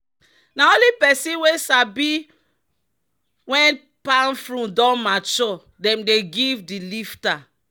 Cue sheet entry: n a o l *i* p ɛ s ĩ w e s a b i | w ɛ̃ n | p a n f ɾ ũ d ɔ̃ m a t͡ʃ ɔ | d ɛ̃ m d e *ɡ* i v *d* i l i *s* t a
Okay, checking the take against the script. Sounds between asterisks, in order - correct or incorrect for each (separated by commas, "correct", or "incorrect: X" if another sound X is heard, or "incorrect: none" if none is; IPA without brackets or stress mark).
correct, correct, correct, incorrect: f